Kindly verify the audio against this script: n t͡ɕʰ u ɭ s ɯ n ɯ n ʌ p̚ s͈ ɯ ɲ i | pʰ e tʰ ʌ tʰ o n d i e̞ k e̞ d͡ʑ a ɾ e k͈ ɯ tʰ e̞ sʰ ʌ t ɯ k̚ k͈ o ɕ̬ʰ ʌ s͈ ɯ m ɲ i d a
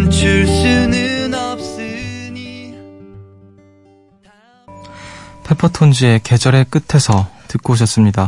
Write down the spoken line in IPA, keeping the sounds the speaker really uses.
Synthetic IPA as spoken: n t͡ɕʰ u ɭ s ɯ n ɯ n ʌ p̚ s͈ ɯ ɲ i | pʰ e pʰ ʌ tʰ o n d͡ʑ i e̞ k e̞ d͡ʑ ʌ ɾ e k͈ ɯ tʰ e̞ sʰ ʌ t ɯ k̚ k͈ o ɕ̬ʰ ʌ s͈ ɯ m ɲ i d a